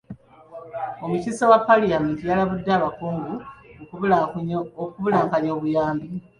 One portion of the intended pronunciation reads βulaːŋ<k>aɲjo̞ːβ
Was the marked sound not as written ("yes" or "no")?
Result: no